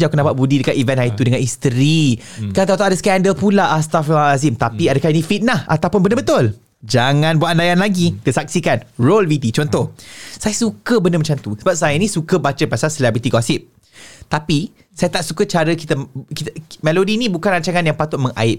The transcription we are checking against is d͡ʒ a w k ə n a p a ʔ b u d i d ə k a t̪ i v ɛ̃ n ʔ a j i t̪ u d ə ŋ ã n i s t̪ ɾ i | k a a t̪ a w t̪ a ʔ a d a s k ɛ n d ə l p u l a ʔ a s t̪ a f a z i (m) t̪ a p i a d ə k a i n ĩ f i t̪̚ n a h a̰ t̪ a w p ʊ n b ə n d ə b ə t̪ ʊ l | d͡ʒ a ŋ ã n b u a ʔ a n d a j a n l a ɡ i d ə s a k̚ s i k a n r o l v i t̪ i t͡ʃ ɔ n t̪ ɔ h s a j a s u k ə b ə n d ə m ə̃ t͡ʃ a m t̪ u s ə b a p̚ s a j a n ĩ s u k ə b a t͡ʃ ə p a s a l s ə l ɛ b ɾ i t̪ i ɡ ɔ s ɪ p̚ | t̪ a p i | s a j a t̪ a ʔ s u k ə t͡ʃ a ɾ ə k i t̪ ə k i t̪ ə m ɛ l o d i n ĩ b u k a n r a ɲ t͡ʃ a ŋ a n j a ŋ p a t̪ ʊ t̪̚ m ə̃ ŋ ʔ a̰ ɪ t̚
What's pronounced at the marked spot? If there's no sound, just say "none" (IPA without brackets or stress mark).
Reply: m